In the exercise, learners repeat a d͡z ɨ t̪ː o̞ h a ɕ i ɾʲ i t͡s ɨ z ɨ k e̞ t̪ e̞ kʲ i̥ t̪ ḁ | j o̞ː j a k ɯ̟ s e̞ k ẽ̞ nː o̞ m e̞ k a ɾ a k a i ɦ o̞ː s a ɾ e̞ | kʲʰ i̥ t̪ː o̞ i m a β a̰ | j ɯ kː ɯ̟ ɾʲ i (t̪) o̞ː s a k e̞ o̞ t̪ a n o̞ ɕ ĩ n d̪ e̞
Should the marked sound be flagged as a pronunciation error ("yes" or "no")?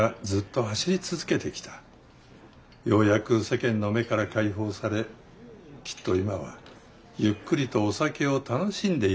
no